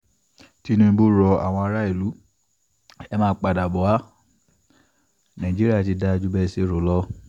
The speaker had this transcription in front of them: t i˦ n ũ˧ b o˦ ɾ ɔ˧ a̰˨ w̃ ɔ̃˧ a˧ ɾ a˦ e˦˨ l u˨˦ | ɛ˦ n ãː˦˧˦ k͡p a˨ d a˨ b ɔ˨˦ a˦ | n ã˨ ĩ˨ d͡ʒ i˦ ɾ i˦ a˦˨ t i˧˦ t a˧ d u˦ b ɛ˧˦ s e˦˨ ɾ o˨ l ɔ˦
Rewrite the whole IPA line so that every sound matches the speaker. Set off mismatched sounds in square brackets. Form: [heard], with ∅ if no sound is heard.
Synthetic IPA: t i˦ n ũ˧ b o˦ ɾ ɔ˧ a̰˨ w̃ ɔ̃˧ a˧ ɾ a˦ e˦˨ l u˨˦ | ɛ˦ [m] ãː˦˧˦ k͡p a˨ d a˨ b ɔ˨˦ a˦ | n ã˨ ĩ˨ d͡ʒ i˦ ɾ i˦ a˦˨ t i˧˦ [d] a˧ [d͡ʒ] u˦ b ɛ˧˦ s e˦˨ ɾ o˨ l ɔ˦